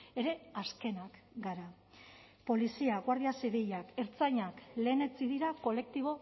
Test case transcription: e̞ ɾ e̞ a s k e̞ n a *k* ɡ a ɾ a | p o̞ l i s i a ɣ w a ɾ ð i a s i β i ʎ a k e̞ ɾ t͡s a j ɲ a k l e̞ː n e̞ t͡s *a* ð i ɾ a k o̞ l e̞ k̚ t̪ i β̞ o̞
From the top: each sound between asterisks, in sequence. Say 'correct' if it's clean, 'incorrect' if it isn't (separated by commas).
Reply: correct, incorrect